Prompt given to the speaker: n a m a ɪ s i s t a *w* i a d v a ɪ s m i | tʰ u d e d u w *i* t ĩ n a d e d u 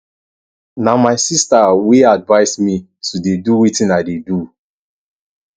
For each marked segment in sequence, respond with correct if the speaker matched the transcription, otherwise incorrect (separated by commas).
correct, correct